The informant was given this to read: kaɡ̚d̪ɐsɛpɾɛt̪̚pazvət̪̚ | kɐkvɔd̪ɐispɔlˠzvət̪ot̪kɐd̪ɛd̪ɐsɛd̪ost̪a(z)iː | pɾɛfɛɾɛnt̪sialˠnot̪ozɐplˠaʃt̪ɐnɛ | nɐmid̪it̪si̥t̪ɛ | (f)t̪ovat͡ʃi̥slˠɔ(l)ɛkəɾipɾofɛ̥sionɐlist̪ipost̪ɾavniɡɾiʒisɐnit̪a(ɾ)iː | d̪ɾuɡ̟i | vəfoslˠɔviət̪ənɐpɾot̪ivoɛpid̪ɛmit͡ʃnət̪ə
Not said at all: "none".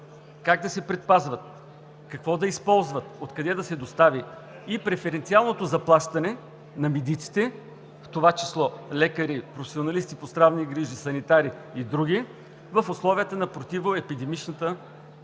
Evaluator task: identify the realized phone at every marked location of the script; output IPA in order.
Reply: v, f, l, ɾ

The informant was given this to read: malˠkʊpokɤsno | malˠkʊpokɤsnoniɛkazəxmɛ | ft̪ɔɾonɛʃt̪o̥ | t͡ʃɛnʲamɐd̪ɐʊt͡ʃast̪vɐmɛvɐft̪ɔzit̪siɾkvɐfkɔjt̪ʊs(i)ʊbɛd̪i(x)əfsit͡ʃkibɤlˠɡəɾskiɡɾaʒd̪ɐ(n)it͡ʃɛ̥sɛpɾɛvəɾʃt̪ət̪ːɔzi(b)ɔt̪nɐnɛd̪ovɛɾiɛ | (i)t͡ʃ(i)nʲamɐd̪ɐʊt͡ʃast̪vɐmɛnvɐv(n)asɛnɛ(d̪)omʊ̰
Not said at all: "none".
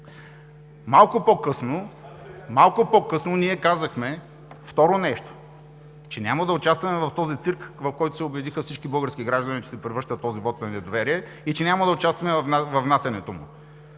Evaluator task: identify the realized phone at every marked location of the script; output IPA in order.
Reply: ɛ, x, n, v, i, ɛ, n, t̪

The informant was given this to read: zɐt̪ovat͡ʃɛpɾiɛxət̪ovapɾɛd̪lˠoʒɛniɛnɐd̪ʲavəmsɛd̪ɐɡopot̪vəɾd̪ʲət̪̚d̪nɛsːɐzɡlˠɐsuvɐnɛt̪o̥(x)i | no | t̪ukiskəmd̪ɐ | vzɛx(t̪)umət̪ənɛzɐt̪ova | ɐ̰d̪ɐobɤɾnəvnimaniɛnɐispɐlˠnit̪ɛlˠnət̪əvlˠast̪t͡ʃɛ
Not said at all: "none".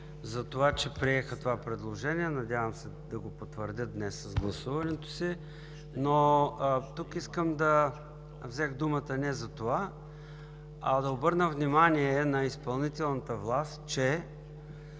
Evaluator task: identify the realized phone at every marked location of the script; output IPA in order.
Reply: s, d̪

